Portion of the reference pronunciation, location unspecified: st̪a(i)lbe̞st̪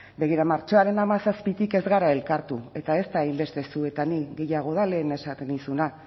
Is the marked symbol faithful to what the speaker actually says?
yes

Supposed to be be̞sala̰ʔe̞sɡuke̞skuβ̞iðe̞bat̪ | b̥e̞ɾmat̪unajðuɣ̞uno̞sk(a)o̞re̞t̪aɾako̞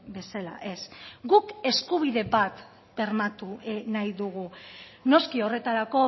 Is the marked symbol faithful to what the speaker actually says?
no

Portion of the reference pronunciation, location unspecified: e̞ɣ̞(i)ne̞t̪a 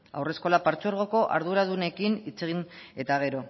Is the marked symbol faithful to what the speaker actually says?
yes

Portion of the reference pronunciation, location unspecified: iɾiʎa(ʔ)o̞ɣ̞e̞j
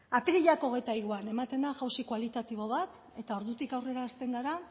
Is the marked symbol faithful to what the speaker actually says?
no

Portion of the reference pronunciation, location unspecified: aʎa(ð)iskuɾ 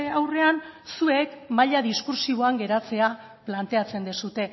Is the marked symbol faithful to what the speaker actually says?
yes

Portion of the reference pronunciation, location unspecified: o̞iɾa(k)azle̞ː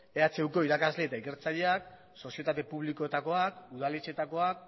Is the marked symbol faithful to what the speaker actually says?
yes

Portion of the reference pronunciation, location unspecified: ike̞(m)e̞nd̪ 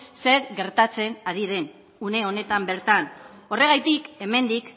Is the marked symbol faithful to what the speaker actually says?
yes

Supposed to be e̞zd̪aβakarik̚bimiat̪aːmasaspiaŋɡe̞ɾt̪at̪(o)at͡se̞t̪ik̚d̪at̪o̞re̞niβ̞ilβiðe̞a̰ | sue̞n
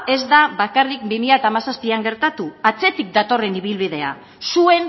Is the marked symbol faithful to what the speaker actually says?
no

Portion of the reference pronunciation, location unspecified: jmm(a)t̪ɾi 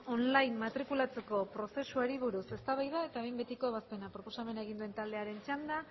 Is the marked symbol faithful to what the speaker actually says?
yes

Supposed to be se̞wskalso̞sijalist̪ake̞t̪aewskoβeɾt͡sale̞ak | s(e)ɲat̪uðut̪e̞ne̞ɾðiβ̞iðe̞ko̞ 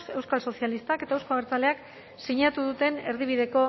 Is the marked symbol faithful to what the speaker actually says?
no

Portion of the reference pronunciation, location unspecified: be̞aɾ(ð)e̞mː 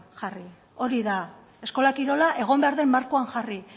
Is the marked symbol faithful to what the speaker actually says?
yes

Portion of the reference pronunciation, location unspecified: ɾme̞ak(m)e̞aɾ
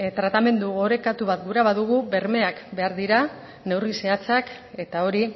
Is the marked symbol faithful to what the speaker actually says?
no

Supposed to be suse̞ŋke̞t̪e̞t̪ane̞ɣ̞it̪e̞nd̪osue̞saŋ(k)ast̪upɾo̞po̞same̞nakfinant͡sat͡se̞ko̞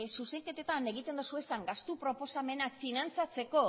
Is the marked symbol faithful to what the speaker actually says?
no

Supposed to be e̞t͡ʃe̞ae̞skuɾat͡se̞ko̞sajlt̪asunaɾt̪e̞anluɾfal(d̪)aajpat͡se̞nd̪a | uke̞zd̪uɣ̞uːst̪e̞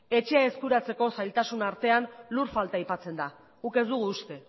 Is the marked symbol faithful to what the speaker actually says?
no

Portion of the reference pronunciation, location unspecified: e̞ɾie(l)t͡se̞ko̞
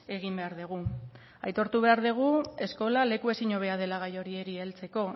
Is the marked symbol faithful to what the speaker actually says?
yes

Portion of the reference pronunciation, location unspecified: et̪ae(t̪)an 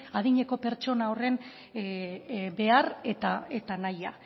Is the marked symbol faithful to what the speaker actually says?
yes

